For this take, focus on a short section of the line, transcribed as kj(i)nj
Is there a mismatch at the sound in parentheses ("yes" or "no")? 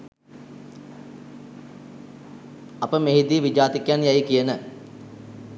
yes